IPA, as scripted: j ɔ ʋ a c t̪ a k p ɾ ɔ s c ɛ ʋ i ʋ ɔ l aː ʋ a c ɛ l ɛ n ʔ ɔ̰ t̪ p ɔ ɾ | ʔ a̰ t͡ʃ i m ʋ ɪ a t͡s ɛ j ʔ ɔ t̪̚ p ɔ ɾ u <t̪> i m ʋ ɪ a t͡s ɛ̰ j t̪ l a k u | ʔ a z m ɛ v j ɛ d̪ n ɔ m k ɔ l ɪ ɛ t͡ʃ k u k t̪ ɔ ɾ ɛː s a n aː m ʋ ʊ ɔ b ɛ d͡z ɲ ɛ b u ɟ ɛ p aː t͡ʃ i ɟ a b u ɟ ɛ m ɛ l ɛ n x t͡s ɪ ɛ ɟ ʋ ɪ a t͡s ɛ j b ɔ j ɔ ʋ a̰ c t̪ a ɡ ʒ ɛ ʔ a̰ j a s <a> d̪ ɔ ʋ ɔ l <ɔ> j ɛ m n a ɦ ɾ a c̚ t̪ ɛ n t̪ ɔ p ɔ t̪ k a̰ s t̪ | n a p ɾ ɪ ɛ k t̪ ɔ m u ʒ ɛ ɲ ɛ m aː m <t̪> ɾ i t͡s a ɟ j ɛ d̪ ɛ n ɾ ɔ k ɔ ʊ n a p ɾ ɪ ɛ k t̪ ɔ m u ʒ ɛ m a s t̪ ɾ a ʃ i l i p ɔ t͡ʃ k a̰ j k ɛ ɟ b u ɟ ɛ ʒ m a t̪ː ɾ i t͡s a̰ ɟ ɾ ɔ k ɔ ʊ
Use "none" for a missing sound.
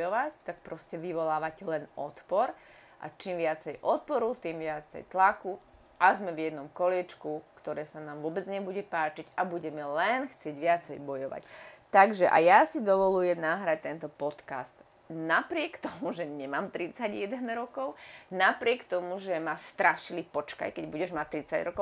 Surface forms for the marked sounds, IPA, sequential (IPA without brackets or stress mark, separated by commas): t̪, i, u, t̪